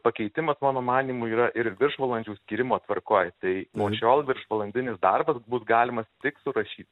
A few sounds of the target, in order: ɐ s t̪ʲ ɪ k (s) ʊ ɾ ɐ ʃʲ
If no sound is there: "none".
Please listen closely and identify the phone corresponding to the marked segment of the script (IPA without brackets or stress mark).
s